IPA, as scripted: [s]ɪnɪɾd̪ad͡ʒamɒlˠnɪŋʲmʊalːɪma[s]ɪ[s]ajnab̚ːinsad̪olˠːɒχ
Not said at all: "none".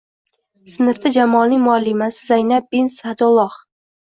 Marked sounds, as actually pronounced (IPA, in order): s, s, z

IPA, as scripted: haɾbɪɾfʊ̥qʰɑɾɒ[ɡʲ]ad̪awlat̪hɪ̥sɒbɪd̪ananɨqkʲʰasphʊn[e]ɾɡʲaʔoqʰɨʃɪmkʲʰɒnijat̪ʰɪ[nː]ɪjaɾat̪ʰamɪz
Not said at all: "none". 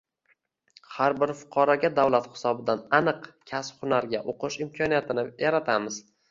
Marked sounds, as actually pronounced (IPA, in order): ɡʲ, a, n

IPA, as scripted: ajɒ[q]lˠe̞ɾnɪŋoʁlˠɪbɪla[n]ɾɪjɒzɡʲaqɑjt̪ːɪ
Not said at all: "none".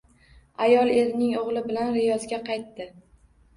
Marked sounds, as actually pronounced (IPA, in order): none, n

